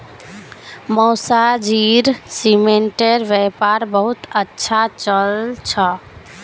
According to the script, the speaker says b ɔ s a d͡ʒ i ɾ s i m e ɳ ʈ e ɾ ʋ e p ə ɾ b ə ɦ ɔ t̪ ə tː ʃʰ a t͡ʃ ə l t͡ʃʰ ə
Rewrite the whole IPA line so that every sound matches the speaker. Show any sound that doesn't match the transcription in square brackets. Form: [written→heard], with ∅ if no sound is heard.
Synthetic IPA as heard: [b→m] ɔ s a d͡ʒ i ɾ s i m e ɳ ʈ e ɾ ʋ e p [ə→a] ɾ b ə ɦ [ɔ→u] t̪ ə tː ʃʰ a t͡ʃ ə l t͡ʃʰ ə